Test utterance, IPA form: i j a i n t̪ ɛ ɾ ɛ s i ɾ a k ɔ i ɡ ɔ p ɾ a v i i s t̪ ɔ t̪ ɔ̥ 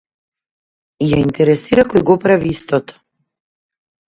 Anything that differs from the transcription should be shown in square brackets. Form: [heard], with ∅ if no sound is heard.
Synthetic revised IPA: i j a i n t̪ ɛ ɾ ɛ s i ɾ a k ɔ [j] ɡ ɔ p ɾ a v i i s t̪ ɔ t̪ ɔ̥